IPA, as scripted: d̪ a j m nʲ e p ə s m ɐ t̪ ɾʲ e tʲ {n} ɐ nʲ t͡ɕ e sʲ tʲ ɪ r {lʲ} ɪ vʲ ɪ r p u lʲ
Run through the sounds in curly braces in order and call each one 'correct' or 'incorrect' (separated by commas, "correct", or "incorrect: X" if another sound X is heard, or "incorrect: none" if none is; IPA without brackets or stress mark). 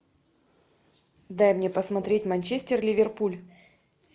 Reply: incorrect: m, correct